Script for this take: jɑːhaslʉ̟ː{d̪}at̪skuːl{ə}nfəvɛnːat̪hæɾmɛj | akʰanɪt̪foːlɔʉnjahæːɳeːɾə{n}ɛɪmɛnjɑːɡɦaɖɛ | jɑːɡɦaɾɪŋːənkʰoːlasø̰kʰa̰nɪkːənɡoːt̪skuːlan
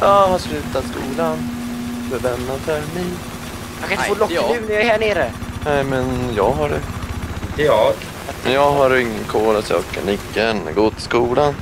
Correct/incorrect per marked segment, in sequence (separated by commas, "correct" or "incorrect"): incorrect, incorrect, correct